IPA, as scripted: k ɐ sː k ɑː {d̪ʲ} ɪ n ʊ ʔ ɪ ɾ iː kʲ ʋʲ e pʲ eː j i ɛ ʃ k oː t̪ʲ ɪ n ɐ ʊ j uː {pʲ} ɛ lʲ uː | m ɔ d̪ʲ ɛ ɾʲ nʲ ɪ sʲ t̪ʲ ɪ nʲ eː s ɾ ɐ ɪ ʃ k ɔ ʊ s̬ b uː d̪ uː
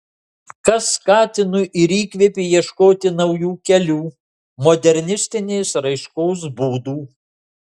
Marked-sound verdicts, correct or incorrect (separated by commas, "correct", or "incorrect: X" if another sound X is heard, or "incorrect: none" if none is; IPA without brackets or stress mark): incorrect: t̪ʲ, incorrect: kʲ